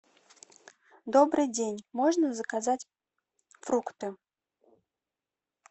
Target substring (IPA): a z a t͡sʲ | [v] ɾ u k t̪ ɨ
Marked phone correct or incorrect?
incorrect